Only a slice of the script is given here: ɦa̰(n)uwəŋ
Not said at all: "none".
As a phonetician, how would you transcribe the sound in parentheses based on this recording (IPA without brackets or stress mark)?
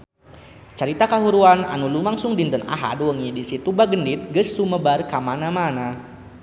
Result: d